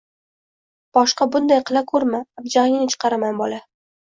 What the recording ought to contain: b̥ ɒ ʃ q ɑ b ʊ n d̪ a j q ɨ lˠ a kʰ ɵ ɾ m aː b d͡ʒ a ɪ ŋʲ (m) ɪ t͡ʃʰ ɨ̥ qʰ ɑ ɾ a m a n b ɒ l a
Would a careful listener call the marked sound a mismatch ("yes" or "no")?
yes